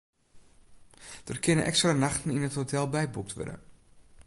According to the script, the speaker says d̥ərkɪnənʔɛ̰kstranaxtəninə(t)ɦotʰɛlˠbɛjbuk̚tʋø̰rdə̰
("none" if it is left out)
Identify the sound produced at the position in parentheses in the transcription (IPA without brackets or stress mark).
t